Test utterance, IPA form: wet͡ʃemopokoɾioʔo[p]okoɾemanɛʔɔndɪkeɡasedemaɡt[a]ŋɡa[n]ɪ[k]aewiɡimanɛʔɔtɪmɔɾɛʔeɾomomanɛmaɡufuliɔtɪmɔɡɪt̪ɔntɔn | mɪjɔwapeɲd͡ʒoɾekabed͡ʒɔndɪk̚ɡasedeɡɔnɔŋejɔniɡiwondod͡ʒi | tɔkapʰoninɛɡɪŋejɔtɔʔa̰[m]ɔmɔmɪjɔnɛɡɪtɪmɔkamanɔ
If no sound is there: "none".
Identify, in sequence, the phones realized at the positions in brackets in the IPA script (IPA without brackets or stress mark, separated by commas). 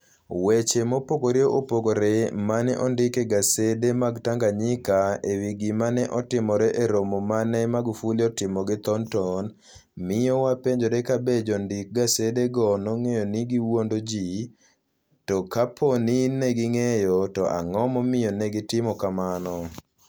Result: p, a, ɲ, k, ŋ